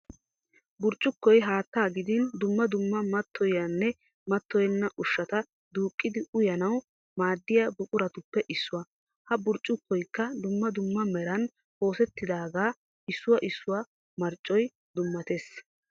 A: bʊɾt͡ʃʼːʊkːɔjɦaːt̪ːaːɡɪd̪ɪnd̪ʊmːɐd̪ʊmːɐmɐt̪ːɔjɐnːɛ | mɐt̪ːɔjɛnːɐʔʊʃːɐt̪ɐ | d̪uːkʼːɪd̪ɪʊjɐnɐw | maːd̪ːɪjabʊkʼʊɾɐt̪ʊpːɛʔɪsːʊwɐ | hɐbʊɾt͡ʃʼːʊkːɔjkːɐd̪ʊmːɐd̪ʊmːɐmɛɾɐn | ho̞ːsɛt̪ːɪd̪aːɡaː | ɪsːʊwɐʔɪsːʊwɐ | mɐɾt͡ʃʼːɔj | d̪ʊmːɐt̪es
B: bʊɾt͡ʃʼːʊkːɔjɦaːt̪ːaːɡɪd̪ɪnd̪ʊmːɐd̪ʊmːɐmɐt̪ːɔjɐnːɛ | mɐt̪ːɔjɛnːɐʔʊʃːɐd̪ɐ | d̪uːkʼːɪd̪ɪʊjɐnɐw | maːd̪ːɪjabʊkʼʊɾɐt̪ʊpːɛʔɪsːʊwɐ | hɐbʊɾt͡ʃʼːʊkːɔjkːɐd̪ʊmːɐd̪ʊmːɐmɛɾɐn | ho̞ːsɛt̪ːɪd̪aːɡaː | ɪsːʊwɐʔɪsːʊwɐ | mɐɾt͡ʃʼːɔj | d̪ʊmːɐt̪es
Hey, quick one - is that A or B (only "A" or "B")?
A